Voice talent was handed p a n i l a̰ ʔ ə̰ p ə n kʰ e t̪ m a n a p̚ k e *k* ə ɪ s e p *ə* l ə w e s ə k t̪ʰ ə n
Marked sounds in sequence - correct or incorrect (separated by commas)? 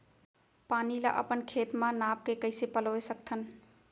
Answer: correct, correct